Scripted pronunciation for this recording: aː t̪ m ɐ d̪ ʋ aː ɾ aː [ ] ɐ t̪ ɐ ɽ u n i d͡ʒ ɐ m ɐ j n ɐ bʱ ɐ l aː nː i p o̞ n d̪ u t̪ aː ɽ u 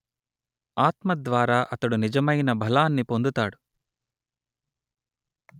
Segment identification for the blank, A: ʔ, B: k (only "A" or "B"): A